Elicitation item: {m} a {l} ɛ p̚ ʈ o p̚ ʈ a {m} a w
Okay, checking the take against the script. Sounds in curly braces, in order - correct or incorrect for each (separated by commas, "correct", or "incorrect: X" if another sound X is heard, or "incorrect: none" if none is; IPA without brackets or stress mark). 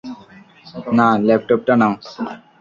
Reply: incorrect: n, correct, incorrect: n